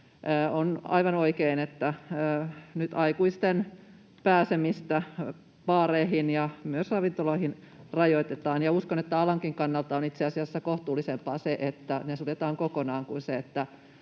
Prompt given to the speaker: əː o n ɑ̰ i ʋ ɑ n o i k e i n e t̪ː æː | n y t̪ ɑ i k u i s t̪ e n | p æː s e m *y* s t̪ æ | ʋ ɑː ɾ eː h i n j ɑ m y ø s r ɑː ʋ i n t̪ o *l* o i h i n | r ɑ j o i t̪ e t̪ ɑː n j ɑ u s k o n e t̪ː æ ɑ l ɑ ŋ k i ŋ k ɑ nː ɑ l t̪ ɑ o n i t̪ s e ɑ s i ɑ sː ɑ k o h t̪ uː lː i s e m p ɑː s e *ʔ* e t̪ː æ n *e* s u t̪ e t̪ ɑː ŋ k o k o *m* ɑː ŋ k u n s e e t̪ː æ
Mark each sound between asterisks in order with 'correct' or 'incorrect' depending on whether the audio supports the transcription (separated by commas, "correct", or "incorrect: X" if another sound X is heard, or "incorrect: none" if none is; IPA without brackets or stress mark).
incorrect: i, correct, correct, correct, incorrect: n